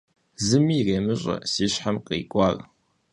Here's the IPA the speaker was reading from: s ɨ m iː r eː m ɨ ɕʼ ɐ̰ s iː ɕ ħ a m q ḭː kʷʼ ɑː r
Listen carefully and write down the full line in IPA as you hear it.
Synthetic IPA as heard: z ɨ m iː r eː m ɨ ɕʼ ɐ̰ s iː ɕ ħ a m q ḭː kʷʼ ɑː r